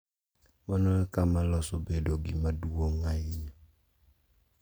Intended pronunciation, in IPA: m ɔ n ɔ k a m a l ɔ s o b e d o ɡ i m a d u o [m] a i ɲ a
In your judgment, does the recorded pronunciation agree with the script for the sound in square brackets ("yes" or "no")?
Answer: no